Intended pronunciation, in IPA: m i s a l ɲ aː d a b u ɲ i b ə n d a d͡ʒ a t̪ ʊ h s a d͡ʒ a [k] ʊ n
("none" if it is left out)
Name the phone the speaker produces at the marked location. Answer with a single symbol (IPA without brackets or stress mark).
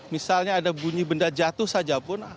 p